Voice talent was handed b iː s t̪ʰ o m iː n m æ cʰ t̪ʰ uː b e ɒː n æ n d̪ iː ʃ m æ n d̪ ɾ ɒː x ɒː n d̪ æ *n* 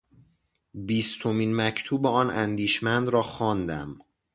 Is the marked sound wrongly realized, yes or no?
yes